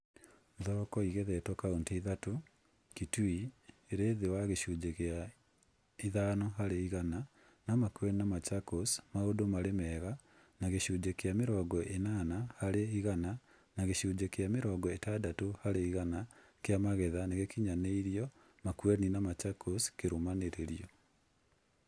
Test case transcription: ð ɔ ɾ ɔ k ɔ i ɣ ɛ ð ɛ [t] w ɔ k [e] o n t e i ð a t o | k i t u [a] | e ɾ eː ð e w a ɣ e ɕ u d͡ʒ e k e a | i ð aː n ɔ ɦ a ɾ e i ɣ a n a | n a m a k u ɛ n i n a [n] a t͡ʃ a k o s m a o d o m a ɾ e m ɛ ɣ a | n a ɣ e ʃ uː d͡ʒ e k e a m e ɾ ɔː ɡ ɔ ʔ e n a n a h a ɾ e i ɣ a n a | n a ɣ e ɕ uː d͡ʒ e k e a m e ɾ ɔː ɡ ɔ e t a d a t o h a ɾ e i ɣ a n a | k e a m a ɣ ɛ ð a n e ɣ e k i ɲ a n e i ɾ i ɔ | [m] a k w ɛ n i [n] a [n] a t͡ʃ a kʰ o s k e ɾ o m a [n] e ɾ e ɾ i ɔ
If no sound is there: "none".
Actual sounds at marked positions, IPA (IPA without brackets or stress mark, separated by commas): t, a, i, m, m, n, m, n